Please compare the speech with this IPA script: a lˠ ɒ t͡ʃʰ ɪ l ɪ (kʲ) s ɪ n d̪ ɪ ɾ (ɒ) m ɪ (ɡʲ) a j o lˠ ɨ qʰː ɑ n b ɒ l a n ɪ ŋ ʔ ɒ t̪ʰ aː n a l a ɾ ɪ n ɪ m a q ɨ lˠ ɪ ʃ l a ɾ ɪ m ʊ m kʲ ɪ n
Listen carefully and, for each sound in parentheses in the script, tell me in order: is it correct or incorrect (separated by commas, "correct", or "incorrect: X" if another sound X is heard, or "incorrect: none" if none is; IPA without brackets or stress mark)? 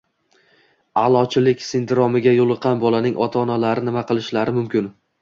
correct, correct, correct